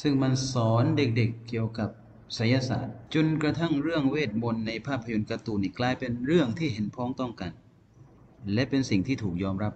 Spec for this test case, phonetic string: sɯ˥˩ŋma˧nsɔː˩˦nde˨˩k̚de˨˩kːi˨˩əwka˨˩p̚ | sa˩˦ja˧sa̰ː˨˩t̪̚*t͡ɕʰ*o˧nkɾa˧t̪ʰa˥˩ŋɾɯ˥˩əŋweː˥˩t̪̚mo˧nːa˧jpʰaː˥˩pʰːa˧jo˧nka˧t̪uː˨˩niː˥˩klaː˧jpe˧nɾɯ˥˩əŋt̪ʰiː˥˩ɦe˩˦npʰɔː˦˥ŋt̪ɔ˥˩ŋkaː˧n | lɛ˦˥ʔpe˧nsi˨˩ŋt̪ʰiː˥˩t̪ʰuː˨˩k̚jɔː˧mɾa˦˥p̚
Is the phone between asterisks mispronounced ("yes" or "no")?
yes